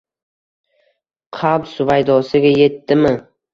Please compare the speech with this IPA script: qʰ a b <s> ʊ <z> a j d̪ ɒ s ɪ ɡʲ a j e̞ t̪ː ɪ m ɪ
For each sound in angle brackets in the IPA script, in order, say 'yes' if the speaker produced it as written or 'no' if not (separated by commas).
yes, no